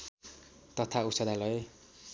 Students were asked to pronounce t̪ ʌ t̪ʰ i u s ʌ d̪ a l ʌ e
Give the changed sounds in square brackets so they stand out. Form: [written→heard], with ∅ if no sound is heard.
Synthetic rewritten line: t̪ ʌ t̪ʰ [i→a] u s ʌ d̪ a l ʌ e

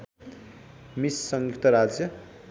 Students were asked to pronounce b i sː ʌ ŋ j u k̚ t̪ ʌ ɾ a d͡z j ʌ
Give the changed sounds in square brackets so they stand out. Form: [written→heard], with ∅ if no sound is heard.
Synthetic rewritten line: [b→m] i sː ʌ ŋ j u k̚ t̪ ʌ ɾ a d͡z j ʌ

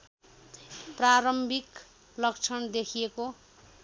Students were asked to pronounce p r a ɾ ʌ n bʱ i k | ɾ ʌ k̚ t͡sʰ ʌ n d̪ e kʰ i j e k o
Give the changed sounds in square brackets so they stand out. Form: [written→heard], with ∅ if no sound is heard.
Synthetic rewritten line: p r a ɾ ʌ [n→m] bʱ i k | [ɾ→l] ʌ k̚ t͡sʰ ʌ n d̪ e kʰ i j e k o

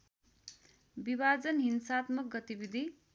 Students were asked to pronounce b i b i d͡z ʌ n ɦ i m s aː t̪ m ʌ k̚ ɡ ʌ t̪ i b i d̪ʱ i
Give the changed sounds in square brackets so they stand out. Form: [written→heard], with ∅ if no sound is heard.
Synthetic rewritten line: b i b [i→a] d͡z ʌ n ɦ i [m→n] s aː t̪ m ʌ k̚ ɡ ʌ t̪ i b i d̪ʱ i

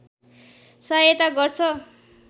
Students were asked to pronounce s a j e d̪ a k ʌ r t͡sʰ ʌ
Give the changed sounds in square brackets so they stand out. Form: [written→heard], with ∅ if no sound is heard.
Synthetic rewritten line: s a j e [d̪→t̪] a [k→ɡ] ʌ r t͡sʰ ʌ

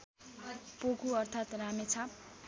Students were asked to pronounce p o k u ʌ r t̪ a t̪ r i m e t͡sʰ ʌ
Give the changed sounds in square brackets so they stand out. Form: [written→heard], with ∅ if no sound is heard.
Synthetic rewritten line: p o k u ʌ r [t̪→t̪ʰ] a t̪ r [i→a] m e t͡sʰ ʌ

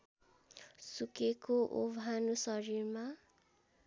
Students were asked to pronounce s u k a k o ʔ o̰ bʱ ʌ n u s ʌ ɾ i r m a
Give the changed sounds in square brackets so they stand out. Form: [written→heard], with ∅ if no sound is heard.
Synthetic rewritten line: s u k [a→e] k o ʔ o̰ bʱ [ʌ→a] n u s ʌ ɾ i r m a

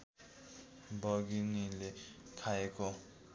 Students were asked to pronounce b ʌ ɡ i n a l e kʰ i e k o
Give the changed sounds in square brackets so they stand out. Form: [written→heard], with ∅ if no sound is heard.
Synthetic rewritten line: b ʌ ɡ i n [a→i] l e kʰ [i→a] e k o

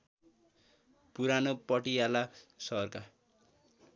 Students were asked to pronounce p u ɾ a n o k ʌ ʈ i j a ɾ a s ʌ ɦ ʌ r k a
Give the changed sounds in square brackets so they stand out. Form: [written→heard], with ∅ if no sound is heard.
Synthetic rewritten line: p u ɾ a n o [k→p] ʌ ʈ i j a [ɾ→l] a s ʌ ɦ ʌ r k a

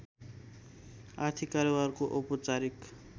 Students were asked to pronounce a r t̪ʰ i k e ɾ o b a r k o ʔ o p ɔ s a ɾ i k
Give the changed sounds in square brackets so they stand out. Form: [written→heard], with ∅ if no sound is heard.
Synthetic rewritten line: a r t̪ʰ i k [e→a] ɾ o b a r k o ʔ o p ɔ [s→t͡s] a ɾ i k

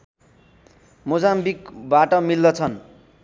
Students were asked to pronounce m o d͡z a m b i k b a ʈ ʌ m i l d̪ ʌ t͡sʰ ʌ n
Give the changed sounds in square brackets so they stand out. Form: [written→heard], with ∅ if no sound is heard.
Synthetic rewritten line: m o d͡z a m b i k b a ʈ ʌ m i l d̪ ʌ t͡sʰ ʌ n

